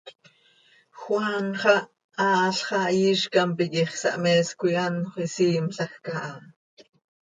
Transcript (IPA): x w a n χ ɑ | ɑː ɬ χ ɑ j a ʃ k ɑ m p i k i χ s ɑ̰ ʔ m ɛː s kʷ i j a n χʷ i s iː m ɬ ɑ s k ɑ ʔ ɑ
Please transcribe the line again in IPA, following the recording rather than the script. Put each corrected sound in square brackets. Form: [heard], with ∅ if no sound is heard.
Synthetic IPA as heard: x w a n χ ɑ | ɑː ɬ χ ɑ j [i] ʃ k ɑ m p i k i χ s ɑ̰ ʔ m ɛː s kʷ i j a n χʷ i s iː m ɬ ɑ [x] k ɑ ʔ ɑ

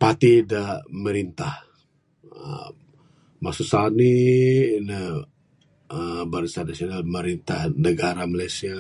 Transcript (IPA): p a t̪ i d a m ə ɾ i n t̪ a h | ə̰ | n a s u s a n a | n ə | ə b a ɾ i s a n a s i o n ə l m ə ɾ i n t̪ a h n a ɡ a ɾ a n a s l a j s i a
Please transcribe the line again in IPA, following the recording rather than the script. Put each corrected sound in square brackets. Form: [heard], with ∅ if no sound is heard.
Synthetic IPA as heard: p a t̪ i d a m ə ɾ i n t̪ a h | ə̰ | [m] a s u s a n [i] | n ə | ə b a ɾ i s a n a s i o n [a] l m ə ɾ i n t̪ a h n [ə] ɡ a ɾ a [m] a [∅] l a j s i a

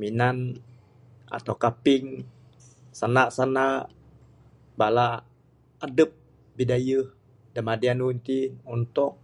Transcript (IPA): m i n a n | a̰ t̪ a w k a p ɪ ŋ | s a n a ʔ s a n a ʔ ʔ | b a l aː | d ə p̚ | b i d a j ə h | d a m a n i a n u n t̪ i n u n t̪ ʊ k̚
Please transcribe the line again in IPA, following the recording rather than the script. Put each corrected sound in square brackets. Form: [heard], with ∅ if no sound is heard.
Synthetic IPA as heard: m i n a n | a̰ t̪ a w k a p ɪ ŋ | s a n a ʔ s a n a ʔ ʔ | b a l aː | d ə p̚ | b i d a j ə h | d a m a [d] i a n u n t̪ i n u n t̪ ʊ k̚

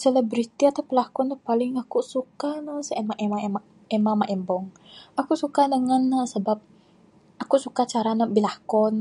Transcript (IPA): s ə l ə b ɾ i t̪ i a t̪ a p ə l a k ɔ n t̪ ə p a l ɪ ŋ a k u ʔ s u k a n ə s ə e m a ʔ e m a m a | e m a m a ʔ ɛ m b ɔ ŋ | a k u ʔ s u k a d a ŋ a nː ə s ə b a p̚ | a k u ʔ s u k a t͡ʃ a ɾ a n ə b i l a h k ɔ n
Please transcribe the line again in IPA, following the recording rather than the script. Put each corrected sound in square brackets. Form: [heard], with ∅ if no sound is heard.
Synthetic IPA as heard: s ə l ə b ɾ i t̪ i a t̪ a p ə l a k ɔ n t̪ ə p a l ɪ ŋ a k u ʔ s u k a n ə s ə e m a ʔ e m a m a | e m a m a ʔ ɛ m b ɔ ŋ | a k u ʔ s u k a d [ə] ŋ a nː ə s ə b a p̚ | a k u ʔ s u k a t͡ʃ a ɾ a n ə b i l a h k ɔ n

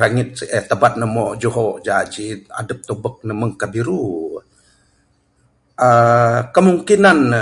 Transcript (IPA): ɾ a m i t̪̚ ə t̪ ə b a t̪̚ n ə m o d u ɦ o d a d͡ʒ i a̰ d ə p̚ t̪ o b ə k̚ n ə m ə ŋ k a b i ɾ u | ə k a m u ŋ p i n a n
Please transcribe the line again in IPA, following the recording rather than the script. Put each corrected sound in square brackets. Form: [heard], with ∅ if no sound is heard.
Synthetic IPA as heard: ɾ a [ŋ] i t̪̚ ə t̪ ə b a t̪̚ n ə m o [d͡ʒ] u ɦ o [d͡ʒ] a d͡ʒ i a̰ d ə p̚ t̪ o b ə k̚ n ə m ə ŋ k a b i ɾ u | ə k [ə] m u ŋ [k] i n a n

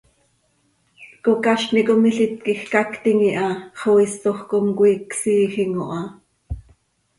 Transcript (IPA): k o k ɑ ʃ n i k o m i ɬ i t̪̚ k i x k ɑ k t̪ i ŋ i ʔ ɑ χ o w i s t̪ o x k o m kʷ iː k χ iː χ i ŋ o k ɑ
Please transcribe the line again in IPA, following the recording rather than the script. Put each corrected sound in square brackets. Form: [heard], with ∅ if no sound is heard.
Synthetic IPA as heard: k o k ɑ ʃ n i k o m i ɬ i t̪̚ k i x k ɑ k t̪ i ŋ i ʔ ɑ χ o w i s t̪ o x k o m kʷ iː k [s] iː [x] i ŋ o [ʔ] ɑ

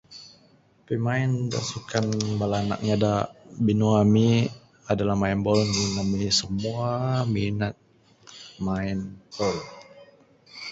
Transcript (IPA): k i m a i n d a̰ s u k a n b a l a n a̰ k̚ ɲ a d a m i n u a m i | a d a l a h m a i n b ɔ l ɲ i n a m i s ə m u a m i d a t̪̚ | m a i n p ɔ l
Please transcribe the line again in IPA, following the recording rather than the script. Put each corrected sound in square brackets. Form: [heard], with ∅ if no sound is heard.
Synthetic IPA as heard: [p] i m a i n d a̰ s u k a n b a l a n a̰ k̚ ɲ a d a [b] i n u a m i | a d a l a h m a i n b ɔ l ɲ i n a m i s ə m u a m i [n] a t̪̚ | m a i n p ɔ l

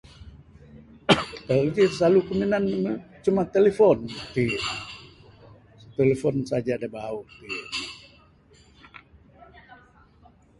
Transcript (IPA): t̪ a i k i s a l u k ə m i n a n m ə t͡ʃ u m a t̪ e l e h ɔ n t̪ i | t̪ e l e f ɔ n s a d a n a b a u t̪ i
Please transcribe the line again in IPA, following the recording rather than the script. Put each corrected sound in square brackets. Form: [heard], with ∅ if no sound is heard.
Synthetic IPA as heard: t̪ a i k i s a l u k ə m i n a n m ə t͡ʃ u m a t̪ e l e [f] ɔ n t̪ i | t̪ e l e f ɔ n s a [d͡ʒ] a [d] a b a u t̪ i

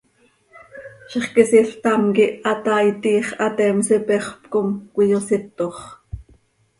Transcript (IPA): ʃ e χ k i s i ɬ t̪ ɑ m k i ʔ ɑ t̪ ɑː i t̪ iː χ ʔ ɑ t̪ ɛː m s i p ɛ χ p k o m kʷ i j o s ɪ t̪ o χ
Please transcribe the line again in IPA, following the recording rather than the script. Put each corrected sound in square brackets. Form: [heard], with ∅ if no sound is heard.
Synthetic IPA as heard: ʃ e χ k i s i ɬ t̪ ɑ m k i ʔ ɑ t̪ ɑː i t̪ iː χ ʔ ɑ t̪ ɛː m s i p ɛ χ p k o m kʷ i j o s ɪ t̪ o χ

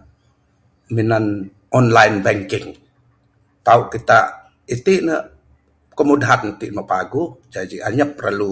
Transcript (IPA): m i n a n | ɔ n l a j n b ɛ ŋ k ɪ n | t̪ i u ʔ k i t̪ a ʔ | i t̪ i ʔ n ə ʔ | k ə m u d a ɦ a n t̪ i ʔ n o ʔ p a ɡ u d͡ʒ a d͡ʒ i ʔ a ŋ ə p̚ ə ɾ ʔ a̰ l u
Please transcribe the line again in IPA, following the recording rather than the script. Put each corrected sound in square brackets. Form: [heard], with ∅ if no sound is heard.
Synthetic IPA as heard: m i n a n | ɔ n l a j n b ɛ ŋ k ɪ [ŋ] | t̪ [a] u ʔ k i t̪ a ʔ | i t̪ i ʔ n ə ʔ | k ə m u d a ɦ a n t̪ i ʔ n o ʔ p a ɡ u d͡ʒ a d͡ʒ i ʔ a [ɲ] ə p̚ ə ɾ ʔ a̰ l u

